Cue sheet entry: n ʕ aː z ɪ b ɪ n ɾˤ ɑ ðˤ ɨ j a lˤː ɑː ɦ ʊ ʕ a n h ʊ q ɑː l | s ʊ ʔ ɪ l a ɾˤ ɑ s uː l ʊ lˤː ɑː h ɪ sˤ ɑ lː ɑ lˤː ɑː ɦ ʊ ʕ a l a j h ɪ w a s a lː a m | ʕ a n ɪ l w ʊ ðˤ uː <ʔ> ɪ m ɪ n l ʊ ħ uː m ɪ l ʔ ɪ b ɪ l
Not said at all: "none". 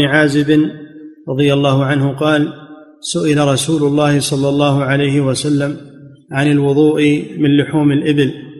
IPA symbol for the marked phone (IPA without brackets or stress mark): ʔ